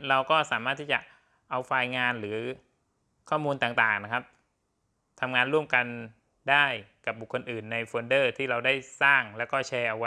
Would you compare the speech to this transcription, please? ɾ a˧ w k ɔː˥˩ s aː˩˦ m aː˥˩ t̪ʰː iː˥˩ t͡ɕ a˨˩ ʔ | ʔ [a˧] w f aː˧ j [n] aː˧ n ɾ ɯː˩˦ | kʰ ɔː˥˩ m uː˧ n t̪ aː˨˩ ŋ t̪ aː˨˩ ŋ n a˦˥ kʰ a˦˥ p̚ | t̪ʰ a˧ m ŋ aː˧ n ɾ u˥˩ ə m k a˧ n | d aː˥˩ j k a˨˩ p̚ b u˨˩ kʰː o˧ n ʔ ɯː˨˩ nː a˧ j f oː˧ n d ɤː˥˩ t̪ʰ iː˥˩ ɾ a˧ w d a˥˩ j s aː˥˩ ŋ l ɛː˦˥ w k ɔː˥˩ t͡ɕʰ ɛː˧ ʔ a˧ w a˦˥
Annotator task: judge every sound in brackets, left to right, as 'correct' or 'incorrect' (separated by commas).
correct, incorrect